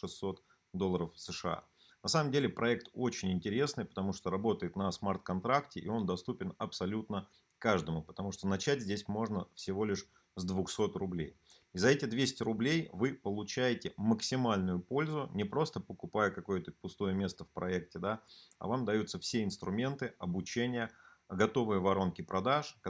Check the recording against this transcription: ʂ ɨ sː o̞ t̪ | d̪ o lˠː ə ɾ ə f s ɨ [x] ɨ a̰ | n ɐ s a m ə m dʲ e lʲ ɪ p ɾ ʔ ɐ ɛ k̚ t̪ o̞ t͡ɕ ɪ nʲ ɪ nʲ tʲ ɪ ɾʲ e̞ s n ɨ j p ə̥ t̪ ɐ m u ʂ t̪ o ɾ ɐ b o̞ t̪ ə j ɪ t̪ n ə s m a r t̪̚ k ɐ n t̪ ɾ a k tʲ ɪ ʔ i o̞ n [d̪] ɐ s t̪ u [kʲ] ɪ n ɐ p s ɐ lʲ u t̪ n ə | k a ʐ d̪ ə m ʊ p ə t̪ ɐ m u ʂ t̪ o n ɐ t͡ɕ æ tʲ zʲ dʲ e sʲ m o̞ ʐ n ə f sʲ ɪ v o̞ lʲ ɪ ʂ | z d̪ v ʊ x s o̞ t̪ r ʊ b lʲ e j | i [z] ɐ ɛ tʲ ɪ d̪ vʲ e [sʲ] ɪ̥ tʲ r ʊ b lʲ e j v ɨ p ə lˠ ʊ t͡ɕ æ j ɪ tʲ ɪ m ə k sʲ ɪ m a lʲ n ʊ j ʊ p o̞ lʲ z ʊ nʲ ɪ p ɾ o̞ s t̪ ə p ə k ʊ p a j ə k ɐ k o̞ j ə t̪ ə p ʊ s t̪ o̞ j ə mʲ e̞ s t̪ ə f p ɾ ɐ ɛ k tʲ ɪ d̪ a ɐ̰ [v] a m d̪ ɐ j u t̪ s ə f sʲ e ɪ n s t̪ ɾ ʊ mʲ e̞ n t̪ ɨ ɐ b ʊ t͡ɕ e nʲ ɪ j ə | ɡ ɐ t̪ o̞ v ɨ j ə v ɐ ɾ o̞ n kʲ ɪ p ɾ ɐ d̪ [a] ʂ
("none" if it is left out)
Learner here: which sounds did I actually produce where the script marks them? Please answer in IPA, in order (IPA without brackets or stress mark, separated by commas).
ʂ, d̪, pʲ, z, sʲ, v, a